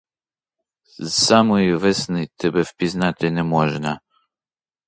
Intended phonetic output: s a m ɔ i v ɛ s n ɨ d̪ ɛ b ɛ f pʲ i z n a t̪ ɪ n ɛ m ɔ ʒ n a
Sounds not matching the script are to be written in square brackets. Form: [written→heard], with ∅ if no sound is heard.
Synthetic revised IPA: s a m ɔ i v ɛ s n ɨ [d̪→t̪] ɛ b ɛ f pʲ i z n a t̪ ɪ n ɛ m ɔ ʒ n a